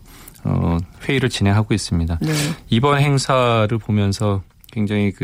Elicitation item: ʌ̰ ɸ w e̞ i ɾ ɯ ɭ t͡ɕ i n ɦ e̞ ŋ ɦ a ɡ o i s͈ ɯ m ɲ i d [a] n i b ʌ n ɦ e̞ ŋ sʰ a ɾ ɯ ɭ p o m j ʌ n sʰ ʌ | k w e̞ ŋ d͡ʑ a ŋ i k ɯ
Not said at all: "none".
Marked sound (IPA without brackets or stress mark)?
a